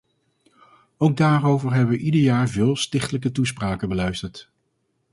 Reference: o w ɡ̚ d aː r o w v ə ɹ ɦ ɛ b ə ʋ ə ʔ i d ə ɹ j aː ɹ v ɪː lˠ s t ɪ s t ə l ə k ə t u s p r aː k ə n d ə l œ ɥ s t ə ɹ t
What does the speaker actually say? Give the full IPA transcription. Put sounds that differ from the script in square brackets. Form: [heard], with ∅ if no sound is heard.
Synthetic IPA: o w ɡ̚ d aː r o w v ə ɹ ɦ ɛ b ə ʋ ə ʔ i d ə ɹ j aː ɹ v ɪː lˠ s t ɪ [χ] t ə l ə k ə t u s p r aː k ə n [b] ə l œ ɥ s t ə ɹ t